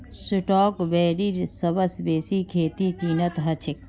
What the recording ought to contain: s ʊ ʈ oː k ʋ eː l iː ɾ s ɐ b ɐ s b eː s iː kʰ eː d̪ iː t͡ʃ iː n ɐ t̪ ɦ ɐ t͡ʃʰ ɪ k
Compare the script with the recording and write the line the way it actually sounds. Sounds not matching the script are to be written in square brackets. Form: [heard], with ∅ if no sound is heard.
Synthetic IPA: s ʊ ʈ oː k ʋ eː [ɾ] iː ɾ s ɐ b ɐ s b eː s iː kʰ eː [t̪] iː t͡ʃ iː n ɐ t̪ ɦ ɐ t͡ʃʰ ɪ k